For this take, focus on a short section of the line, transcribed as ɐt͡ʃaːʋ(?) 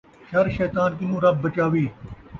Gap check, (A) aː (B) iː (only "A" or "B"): B